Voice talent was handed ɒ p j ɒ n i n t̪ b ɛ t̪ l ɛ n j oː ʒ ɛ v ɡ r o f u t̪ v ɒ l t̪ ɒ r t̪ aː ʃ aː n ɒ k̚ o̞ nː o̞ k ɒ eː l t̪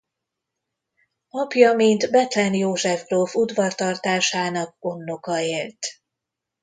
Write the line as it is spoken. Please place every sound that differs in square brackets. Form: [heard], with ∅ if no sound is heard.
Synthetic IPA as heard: ɒ p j ɒ [m] i n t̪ b ɛ t̪ l ɛ n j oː ʒ ɛ v ɡ r o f u [d̪] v ɒ [r] t̪ ɒ r t̪ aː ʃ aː n ɒ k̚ o̞ nː o̞ k ɒ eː l t̪